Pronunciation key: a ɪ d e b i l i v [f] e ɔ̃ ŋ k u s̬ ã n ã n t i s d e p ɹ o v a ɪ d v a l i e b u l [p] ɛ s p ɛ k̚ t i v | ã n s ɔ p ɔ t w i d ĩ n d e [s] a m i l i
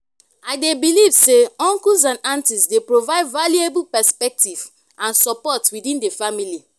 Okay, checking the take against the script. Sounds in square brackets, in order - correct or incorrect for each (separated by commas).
incorrect, correct, incorrect